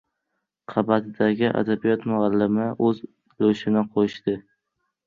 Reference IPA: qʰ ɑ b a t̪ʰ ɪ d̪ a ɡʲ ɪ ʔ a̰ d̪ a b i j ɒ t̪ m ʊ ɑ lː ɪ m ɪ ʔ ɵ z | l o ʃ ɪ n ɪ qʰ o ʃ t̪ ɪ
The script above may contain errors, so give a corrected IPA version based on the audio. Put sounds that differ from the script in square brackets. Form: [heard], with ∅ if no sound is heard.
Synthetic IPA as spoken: qʰ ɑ b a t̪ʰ ɪ d̪ a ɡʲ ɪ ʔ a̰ d̪ a b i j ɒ t̪ m ʊ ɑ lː ɪ m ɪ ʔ ɵ z | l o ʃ ɪ n ɪ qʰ o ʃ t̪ ɪ